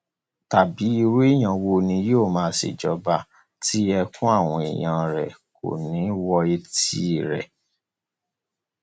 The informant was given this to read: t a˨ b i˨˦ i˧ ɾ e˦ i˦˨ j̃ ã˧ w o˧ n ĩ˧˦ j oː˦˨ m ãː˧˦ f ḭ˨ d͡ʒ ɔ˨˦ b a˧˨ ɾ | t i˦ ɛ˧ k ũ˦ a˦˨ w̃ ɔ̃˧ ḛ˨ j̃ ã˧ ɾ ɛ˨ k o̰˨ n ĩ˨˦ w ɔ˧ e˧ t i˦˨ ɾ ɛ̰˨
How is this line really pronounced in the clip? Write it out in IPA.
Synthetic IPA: t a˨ b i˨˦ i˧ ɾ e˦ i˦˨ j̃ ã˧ w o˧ n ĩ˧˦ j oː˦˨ m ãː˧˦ s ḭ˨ d͡ʒ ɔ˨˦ b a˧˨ | t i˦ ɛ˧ k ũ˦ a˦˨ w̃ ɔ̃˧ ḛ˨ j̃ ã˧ ɾ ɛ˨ k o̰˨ n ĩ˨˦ w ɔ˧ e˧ t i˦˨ ɾ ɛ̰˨